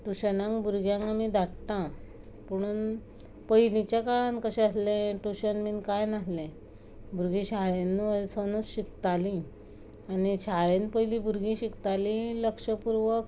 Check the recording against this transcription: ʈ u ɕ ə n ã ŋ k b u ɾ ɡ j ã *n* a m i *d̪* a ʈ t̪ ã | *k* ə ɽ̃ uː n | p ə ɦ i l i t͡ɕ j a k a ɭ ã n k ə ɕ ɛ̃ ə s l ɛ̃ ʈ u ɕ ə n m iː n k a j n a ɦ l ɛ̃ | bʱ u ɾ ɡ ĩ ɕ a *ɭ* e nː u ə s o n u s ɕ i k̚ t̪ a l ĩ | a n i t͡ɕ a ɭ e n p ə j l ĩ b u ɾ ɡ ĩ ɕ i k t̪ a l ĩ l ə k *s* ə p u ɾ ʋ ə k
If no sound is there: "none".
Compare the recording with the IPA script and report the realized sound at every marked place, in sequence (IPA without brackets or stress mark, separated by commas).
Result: ŋ, d̪, p, ɭ, ʂ